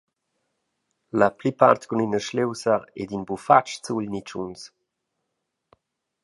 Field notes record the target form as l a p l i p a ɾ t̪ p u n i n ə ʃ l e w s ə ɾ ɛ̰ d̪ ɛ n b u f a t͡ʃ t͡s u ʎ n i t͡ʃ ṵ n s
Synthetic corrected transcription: l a p l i p a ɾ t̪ k u n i n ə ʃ l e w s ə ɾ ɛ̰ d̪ i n b u f a t͡ʃ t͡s u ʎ n i t͡ʃ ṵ n s